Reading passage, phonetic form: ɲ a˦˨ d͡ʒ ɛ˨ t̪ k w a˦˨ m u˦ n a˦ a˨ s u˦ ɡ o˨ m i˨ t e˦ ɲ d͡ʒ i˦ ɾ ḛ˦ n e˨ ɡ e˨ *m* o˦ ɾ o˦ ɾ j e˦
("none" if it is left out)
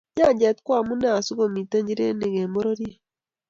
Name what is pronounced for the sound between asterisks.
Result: m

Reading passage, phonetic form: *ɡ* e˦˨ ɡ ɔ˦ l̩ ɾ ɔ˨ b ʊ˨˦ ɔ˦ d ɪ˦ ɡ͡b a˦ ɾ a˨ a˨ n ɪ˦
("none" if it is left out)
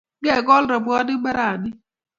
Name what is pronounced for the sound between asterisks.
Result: ɡ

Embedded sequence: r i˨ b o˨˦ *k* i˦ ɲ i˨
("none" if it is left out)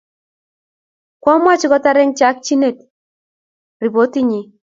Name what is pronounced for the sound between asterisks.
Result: t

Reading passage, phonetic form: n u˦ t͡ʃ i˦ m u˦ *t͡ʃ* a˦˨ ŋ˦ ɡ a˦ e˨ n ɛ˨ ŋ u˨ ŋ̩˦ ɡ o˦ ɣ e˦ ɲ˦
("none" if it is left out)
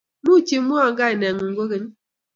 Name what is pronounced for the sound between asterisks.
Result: none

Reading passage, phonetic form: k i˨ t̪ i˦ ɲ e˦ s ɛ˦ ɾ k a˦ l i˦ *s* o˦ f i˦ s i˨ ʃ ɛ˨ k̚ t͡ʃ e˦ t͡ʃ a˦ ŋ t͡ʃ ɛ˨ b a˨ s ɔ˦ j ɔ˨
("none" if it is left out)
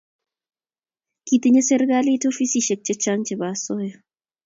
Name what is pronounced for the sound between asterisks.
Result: t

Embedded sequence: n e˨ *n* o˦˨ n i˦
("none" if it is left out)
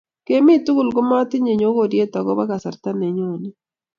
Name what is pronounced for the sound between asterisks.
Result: ɲ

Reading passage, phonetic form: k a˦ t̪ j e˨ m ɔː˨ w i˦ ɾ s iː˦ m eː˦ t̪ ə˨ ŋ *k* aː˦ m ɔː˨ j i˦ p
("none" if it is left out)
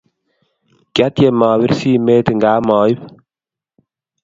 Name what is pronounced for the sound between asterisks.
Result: ɡ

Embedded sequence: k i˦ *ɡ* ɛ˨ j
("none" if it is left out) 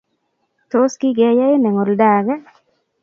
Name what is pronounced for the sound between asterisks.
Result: ɡ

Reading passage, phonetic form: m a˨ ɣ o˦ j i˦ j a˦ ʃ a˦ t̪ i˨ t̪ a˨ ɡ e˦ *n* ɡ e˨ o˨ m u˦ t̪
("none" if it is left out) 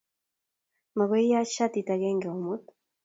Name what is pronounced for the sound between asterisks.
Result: ŋ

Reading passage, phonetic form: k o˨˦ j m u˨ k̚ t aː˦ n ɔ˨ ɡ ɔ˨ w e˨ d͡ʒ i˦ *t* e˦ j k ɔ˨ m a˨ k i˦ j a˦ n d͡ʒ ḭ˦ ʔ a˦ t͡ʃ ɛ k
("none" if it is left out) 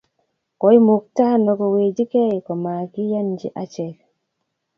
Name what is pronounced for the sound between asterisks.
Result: k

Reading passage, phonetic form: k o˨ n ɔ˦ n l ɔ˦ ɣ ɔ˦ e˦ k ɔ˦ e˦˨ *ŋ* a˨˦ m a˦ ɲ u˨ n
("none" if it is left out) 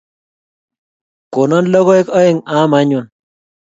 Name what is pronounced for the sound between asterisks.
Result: ŋ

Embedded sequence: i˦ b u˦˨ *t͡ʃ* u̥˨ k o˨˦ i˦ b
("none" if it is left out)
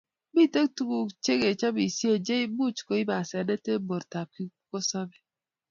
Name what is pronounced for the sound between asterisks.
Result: t͡ʃ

